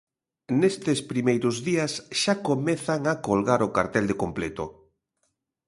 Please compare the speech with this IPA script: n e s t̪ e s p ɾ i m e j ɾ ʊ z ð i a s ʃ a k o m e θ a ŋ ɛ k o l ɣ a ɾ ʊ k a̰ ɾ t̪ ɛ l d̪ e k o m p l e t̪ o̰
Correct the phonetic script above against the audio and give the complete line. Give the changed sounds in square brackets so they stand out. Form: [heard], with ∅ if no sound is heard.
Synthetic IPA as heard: n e s t̪ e s p ɾ i m e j ɾ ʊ z ð i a s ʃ a k o m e θ a ŋ [a] k o l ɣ a ɾ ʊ k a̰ ɾ t̪ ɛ l d̪ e k o m p l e t̪ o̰